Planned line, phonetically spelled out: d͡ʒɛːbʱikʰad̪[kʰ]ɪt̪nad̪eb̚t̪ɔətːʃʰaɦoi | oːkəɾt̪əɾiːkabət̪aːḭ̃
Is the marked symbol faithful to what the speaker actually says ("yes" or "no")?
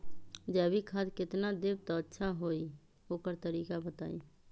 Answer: no